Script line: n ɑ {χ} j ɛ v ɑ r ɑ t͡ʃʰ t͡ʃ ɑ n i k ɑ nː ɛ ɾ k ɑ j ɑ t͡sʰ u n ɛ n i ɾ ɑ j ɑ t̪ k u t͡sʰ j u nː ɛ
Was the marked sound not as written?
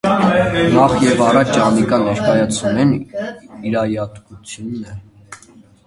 no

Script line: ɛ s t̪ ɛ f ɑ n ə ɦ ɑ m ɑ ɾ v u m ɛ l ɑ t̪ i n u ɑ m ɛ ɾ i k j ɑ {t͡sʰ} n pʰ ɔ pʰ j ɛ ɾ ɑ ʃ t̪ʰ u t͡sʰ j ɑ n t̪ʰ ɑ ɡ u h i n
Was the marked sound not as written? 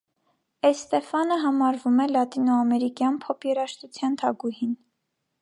yes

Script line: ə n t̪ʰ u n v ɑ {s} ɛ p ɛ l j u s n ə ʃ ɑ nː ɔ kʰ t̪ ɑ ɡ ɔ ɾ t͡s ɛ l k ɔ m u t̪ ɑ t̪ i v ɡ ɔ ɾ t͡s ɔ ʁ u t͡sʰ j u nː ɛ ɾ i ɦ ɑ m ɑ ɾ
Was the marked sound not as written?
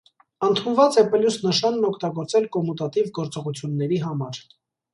yes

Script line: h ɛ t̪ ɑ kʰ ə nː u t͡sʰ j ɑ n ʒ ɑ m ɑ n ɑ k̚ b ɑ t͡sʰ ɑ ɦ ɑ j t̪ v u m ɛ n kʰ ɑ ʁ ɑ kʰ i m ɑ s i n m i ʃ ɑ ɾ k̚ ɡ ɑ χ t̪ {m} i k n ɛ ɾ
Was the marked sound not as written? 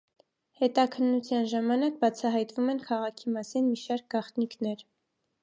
yes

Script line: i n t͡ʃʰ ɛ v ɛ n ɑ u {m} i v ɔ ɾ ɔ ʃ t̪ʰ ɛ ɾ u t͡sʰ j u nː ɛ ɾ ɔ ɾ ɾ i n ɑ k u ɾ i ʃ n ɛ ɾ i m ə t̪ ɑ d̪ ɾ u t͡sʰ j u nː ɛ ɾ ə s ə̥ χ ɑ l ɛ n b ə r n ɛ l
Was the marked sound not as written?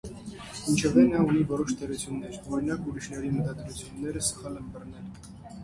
yes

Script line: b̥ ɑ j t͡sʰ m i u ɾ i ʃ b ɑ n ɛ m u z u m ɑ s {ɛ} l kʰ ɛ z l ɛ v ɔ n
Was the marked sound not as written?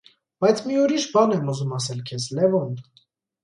no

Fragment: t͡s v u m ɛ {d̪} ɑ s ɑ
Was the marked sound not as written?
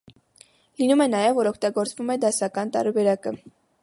no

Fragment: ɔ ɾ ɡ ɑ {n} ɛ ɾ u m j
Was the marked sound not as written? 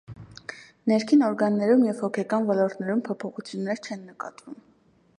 yes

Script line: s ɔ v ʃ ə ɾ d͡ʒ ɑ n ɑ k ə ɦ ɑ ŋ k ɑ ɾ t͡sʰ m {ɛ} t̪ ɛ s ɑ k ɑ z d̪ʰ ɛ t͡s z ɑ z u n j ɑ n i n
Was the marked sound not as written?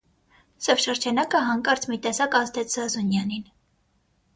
yes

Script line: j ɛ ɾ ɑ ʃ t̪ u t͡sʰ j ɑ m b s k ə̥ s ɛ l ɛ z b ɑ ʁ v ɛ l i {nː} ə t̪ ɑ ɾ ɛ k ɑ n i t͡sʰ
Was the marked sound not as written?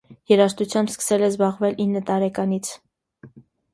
no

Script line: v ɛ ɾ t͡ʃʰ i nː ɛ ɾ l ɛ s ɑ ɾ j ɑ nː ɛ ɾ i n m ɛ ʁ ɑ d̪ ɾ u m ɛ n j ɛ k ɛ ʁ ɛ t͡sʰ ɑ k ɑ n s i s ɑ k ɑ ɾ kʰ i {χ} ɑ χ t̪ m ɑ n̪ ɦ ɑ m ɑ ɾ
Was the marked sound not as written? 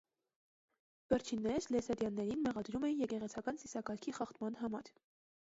no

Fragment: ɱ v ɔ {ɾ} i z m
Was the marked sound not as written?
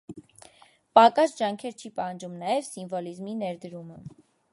yes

